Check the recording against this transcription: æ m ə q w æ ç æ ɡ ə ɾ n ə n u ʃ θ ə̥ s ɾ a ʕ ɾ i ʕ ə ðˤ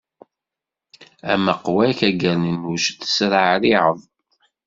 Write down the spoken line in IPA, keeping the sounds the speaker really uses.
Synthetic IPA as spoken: æ m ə q w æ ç æ ɡ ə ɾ n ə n u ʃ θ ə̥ s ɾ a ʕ ɾ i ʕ ə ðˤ